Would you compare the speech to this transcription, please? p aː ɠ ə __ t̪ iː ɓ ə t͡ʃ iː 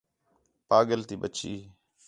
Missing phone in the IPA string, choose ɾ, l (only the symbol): l